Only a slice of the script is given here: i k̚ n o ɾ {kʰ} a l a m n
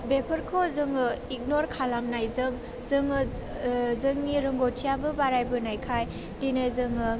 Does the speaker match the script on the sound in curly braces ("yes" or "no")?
yes